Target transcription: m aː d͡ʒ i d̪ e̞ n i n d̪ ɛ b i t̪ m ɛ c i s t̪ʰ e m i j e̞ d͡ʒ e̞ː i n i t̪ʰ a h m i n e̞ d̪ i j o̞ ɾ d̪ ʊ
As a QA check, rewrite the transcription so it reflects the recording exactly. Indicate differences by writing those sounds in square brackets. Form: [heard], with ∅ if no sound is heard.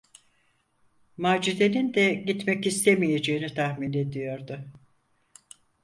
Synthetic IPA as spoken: m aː d͡ʒ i d̪ e̞ n i n d̪ ɛ [ɟ] i t̪ m ɛ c i s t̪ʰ e m i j e̞ d͡ʒ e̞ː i n i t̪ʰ a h m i n e̞ d̪ i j o̞ ɾ d̪ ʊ